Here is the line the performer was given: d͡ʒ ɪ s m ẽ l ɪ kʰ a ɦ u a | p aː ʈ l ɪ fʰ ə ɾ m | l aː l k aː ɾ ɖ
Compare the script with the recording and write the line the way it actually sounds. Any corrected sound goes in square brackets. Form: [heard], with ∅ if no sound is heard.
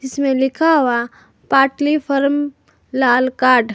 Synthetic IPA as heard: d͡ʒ ɪ s m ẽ l ɪ kʰ a ɦ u a | p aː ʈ l [i] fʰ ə ɾ m | l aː l k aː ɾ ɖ